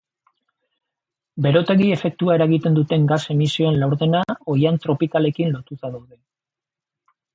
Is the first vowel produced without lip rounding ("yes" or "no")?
yes